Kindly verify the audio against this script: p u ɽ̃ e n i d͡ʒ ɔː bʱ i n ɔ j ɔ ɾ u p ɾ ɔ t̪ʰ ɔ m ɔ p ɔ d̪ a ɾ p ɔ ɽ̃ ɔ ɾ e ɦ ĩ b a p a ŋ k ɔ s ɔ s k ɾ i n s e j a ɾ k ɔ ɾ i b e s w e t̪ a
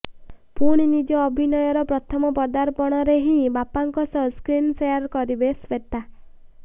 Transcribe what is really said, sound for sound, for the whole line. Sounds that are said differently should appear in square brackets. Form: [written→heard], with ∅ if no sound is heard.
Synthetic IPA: p u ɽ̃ [e→i] n i d͡ʒ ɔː bʱ i n ɔ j ɔ ɾ [u→ɔ] p ɾ ɔ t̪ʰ ɔ m ɔ p ɔ d̪ a ɾ p ɔ ɽ̃ ɔ ɾ e ɦ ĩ b a p a ŋ k ɔ s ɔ s k ɾ i n s e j a ɾ k ɔ ɾ i b e s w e t̪ a